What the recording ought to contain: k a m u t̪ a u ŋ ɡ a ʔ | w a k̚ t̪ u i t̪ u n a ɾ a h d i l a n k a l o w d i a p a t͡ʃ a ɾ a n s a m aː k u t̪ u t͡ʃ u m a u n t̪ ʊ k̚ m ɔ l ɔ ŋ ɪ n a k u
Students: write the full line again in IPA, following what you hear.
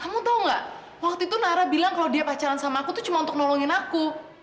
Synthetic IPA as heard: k a m u t̪ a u ŋ ɡ a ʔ | w a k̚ t̪ u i t̪ u n a ɾ a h b i l a ŋ k a l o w d i a p a t͡ʃ a ɾ a n s a m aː k u t̪ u t͡ʃ u m a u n t̪ ʊ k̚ n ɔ l ɔ ŋ ɪ n a k u